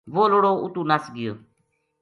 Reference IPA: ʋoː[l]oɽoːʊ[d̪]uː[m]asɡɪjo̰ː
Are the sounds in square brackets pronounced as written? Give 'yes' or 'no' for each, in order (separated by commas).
yes, no, no